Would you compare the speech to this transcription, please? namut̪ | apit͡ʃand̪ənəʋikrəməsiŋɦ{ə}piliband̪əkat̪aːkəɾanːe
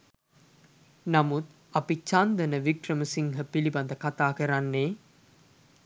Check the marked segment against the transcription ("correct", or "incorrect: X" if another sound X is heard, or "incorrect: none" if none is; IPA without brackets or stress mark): correct